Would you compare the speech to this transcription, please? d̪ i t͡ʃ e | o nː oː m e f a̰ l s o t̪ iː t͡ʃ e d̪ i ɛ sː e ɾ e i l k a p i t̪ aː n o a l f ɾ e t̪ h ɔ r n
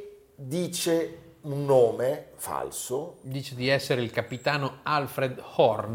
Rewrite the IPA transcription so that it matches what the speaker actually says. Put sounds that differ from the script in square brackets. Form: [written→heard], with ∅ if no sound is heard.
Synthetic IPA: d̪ [i→iː] t͡ʃ e | [o→u] nː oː m e f a̰ l s o [t̪→d̪] iː t͡ʃ e d̪ i ɛ sː e ɾ e i l k a p i t̪ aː n o a l f ɾ e [t̪→d̪] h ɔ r n